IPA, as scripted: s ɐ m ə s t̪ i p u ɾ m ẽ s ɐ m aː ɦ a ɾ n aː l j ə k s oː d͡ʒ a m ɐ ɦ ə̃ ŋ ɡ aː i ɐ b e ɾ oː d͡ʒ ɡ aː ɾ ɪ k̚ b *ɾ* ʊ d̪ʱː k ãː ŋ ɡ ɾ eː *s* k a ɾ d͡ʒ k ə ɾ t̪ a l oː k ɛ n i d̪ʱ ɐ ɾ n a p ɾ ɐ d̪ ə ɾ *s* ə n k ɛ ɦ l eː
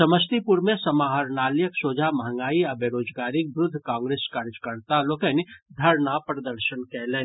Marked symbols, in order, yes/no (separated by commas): yes, yes, no